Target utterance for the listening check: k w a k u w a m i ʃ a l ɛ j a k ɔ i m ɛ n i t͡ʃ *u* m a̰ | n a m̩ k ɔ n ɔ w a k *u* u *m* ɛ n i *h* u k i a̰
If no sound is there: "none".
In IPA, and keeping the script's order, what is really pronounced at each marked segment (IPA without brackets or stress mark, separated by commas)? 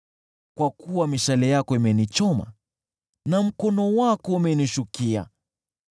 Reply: ɔ, ɔ, m, ʃ